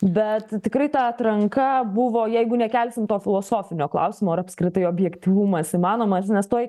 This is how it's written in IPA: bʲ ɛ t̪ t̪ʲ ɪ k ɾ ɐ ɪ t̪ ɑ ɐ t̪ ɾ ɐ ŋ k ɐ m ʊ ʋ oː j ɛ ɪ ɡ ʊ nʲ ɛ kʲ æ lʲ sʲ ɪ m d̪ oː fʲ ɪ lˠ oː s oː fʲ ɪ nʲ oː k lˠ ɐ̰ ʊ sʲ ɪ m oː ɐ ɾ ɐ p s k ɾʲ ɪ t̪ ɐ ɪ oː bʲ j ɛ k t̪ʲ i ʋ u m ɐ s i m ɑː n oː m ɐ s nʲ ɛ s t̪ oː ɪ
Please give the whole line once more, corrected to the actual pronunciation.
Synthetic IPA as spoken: bʲ ɛ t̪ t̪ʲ ɪ k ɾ ɐ ɪ t̪ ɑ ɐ t̪ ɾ ɐ ŋ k ɐ b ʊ ʋ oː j ɛ ɪ ɡ ʊ nʲ ɛ kʲ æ lʲ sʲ ɪ m t̪ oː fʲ ɪ lˠ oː s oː fʲ ɪ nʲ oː k lˠ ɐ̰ ʊ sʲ ɪ m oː ɐ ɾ ɐ p s k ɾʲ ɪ t̪ ɐ ɪ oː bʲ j ɛ k t̪ʲ i ʋ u m ɐ s i m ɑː n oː m ɐ s nʲ ɛ s t̪ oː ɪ

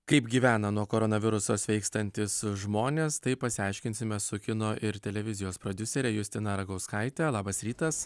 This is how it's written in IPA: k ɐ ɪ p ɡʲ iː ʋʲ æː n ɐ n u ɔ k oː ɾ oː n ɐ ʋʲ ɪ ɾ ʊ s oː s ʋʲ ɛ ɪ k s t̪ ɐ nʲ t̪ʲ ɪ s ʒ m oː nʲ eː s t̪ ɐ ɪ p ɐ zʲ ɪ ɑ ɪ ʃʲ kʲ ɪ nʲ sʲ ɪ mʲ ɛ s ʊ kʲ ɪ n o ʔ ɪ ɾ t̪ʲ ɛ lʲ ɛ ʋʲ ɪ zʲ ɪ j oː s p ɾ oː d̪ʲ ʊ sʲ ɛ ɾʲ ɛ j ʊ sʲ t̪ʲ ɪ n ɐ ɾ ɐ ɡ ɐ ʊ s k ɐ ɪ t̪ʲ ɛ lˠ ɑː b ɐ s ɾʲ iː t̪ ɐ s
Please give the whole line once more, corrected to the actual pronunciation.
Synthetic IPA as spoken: k ɐ ɪ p ɡʲ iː ʋʲ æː n ɐ n u ɔ k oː ɾ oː n ɐ ʋʲ ɪ ɾ ʊ s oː s ʋʲ ɛ ɪ k s t̪ ɐ nʲ t̪ʲ ɪ s ʒ m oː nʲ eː s t̪ ɐ ɪ p ɐ sʲ ɪ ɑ ɪ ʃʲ kʲ ɪ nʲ sʲ ɪ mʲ ɛ s ʊ kʲ ɪ n o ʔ ɪ ɾ t̪ʲ ɛ lʲ ɛ ʋʲ ɪ zʲ ɪ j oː s p ɾ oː d̪ʲ ʊ sʲ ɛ ɾʲ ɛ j ʊ sʲ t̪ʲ ɪ n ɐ ɾ ɐ ɡ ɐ ʊ s k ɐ ɪ t̪ʲ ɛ lˠ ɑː b ɐ s ɾʲ iː t̪ ɐ s

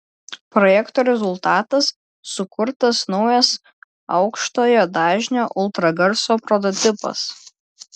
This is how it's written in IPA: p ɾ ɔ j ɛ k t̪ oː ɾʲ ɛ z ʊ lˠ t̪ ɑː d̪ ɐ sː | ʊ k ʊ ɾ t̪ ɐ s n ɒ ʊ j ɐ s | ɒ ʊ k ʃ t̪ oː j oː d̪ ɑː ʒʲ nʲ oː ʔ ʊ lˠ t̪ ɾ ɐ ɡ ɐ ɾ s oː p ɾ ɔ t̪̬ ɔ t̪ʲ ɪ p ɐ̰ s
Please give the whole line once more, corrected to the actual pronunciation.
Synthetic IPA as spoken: p ɾ ɔ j ɛ k t̪ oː ɾʲ ɛ z ʊ lˠ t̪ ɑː t̪ ɐ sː | ʊ k ʊ ɾ t̪ ɐ s n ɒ ʊ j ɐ s | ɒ ʊ k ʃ t̪ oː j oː d̪ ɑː ʒʲ nʲ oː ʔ ʊ lˠ t̪ ɾ ɐ ɡ ɐ ɾ s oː p ɾ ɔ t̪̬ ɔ t̪ʲ ɪ p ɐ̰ s

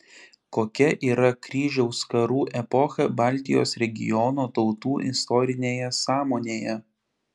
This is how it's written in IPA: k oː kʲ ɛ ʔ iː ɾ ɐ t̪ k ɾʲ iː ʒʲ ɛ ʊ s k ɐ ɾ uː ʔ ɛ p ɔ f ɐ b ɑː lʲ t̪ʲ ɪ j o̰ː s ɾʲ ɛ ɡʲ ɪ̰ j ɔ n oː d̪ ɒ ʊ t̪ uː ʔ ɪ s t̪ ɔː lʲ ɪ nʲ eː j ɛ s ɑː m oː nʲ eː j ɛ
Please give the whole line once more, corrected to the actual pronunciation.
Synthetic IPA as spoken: k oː kʲ ɛ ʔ iː ɾ ɐ k ɾʲ iː ʒʲ ɛ ʊ s k ɐ ɾ uː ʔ ɛ p ɔ x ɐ b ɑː lʲ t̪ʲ ɪ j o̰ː s ɾʲ ɛ ɡʲ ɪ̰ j ɔ n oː t̪ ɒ ʊ t̪ uː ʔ ɪ s t̪ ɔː ɾʲ ɪ nʲ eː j ɛ s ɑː m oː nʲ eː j ɛ

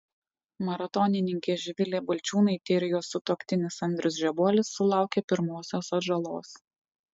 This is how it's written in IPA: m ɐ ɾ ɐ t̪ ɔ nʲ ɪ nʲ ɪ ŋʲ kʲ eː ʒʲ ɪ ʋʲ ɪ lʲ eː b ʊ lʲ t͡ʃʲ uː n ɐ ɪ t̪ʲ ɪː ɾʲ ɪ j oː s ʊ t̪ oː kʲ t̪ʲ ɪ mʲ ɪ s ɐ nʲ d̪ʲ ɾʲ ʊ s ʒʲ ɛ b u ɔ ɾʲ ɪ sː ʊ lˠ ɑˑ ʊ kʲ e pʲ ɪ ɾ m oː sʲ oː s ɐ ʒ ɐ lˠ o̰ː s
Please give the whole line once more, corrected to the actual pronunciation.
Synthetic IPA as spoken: m ɐ ɾ ɐ t̪ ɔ nʲ ɪ nʲ ɪ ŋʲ kʲ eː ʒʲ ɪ ʋʲ ɪ lʲ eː b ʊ lʲ t͡ʃʲ uː n ɐ ɪ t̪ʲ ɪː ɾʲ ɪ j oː s ʊ t̪ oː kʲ t̪ʲ ɪ nʲ ɪ s ɐ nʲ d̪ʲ ɾʲ ʊ s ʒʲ ɛ b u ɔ lʲ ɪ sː ʊ lˠ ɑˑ ʊ kʲ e pʲ ɪ ɾ m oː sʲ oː s ɐ ʒ ɐ lˠ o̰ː s

